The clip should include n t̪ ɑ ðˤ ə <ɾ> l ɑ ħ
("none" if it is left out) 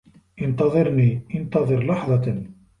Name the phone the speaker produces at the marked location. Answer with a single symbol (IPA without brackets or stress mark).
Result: ɾ